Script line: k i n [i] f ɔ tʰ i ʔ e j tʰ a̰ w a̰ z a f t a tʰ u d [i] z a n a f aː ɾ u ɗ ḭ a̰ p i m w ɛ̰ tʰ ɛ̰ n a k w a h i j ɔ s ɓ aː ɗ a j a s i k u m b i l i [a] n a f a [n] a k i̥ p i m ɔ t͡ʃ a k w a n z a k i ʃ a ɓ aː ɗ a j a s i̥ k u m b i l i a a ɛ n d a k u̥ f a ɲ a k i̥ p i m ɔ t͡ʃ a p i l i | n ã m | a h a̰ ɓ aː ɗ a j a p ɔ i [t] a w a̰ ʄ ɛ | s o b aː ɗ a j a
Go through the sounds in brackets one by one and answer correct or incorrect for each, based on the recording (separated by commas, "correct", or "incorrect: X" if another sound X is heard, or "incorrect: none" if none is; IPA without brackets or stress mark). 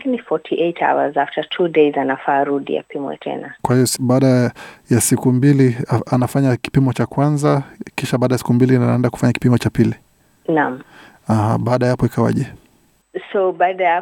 correct, incorrect: e, correct, incorrect: ɲ, incorrect: k